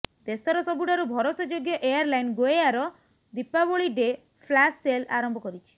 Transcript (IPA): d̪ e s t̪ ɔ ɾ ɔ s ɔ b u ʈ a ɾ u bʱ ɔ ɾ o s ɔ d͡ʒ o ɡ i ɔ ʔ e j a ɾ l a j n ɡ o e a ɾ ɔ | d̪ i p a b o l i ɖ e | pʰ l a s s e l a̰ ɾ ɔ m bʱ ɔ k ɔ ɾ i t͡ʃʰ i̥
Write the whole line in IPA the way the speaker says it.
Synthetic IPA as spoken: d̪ e s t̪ ɔ ɾ ɔ s ɔ b u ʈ a ɾ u bʱ ɔ ɾ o s ɔ d͡ʒ o ɡ j ɔ ʔ e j a ɾ l a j n ɡ o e a ɾ ɔ | d̪ i p a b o ɭ i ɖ e | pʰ l a s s e l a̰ ɾ ɔ m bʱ ɔ k ɔ ɾ i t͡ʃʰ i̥